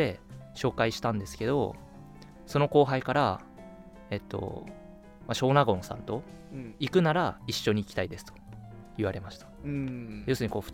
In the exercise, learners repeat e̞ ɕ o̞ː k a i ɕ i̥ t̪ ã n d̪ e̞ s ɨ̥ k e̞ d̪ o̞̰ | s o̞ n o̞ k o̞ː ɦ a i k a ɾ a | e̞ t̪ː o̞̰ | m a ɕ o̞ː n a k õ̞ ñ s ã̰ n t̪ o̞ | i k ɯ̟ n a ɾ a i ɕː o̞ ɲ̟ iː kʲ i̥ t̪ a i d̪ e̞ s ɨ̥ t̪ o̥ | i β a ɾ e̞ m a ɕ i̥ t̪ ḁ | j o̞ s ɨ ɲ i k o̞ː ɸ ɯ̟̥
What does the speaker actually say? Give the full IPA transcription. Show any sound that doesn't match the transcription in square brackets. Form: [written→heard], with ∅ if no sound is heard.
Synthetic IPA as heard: e̞ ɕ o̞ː k a i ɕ i̥ t̪ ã n d̪ e̞ s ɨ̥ k e̞ d̪ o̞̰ | s o̞ n o̞ k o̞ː ɦ a i k a ɾ a | e̞ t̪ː o̞̰ | m a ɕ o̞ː n a [k→ɡ] õ̞ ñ s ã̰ n t̪ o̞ | i k ɯ̟ n a ɾ a i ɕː o̞ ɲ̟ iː kʲ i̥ t̪ a i d̪ e̞ s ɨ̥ t̪ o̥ | i β a ɾ e̞ m a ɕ i̥ t̪ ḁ | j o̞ s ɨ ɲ i k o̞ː ɸ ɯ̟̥